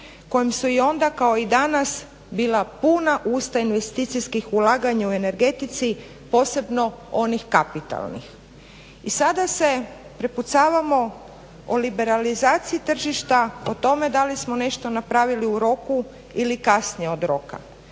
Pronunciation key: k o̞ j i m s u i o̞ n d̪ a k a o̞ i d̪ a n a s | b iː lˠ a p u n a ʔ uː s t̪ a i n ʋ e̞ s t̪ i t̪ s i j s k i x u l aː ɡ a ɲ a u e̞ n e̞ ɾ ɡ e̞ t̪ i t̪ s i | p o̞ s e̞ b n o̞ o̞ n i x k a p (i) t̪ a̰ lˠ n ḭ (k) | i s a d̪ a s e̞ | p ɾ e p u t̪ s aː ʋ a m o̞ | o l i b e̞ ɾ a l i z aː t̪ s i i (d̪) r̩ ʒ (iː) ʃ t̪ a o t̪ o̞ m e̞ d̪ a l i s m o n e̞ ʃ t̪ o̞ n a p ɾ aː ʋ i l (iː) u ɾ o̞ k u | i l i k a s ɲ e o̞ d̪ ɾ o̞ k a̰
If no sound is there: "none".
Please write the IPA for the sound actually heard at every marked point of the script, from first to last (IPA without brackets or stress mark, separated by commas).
i, x, t̪, i, i